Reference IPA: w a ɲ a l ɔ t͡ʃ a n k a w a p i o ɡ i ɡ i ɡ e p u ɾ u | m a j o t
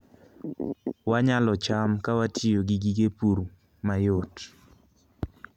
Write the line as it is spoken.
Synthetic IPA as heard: w a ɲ a l ɔ t͡ʃ a m k a w a t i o ɡ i ɡ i ɡ e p u ɾ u | m a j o t